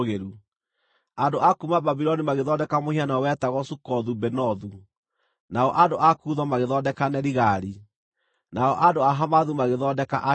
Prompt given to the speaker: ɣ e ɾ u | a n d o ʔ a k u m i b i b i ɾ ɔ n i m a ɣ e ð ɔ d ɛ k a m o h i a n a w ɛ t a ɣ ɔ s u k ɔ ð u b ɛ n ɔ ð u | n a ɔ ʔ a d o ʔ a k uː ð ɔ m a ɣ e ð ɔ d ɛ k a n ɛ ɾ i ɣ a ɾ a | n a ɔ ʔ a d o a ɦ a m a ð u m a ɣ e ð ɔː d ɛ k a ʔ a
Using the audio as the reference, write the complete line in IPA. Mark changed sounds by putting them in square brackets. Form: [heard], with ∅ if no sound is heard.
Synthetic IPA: ɣ e ɾ u | a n d o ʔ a k u m [a] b [a] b i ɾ ɔ n i m a ɣ e ð ɔ d ɛ k a m o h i a n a w ɛ t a ɣ ɔ s u k ɔ ð u b ɛ n ɔ ð u | n a ɔ ʔ a d o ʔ a k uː ð ɔ m a ɣ e ð ɔ d ɛ k a n ɛ ɾ i ɣ a ɾ [i] | n a ɔ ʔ a d o a ɦ a m a ð u m a ɣ e ð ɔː d ɛ k a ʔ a